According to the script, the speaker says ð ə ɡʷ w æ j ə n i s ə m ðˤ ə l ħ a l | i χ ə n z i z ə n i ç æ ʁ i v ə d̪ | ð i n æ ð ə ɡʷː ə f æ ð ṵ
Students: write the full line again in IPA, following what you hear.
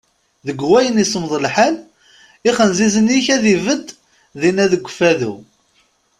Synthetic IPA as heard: ð ə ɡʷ w æ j ə n i s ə m ðˤ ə l ħ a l | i χ ə n z i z ə n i ç æ ð i v ə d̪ | ð i n æ ð ə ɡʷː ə f æ ð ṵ